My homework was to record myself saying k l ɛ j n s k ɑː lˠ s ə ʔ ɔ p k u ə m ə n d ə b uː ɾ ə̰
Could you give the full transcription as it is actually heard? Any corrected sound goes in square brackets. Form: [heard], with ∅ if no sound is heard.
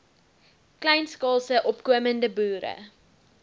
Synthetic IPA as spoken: k l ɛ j n s k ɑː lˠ s ə ʔ ɔ p k u ə m ə n d ə b uː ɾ ə̰